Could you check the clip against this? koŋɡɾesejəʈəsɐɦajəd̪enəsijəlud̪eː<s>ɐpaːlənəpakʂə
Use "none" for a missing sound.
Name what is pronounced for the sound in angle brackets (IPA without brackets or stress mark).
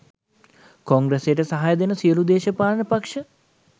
ʃ